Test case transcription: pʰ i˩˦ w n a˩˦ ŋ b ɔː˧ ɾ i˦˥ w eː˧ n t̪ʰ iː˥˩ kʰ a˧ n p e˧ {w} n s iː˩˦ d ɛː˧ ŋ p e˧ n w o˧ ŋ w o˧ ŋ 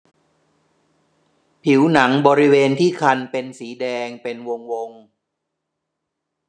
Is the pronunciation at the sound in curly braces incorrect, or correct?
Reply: incorrect